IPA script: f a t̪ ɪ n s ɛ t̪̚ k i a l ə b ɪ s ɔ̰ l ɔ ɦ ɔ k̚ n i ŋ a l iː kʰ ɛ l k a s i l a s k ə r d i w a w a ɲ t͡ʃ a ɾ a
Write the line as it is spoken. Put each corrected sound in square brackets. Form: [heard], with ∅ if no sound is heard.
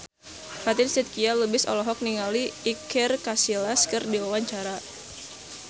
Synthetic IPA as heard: f a t̪ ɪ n s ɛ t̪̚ k i a l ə b ɪ s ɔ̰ l ɔ ɦ ɔ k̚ n i ŋ a l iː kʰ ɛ [r] k a s i l a s k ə r d i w a w a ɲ t͡ʃ a ɾ a